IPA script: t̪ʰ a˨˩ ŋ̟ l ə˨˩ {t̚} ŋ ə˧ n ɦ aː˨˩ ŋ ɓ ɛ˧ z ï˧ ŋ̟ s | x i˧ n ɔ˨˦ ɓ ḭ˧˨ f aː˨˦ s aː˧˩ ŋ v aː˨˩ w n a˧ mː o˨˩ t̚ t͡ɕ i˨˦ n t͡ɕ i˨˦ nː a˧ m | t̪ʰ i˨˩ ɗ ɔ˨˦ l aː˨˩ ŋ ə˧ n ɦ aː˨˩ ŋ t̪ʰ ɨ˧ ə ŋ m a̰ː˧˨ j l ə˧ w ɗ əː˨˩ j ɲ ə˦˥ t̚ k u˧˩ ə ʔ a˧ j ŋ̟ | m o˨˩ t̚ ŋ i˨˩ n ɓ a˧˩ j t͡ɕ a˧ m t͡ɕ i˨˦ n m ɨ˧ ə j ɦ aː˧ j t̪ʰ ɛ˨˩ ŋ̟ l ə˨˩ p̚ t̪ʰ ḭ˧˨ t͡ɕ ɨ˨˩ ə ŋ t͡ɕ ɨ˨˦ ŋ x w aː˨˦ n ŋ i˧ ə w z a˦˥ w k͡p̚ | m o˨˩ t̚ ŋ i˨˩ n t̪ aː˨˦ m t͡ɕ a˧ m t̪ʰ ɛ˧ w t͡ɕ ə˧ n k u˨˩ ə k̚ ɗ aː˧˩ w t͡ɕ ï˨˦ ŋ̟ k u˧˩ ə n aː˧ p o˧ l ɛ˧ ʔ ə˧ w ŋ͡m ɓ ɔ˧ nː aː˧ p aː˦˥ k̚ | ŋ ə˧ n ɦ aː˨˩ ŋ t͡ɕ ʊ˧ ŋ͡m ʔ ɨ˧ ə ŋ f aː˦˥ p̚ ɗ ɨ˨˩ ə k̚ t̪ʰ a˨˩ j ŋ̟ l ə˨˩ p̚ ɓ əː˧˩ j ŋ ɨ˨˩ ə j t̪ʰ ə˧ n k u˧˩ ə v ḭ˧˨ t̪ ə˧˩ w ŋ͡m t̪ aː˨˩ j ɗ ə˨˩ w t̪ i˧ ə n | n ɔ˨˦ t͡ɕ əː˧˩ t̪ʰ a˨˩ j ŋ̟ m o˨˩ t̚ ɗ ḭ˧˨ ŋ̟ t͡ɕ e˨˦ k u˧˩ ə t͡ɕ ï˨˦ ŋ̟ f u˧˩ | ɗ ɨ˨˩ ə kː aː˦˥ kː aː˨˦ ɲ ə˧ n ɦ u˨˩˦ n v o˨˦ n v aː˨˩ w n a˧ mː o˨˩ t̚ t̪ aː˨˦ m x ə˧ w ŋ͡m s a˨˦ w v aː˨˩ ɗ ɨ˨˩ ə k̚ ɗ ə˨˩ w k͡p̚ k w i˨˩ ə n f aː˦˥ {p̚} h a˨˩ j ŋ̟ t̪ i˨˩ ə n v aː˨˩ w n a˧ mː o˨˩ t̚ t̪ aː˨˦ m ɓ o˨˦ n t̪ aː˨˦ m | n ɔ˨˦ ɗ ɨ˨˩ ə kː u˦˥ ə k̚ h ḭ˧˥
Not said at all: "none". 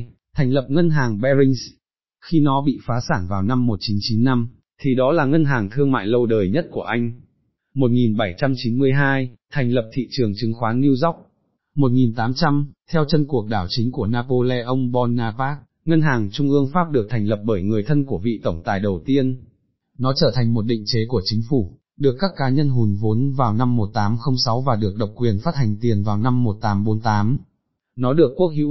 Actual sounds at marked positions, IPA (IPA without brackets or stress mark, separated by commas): p̚, t̚